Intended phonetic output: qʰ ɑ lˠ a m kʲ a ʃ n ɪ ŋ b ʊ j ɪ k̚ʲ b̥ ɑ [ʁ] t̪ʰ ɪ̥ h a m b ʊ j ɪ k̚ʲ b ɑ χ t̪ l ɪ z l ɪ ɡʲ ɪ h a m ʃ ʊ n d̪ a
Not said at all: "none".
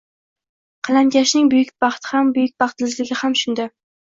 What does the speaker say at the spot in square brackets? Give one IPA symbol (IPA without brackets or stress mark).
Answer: χ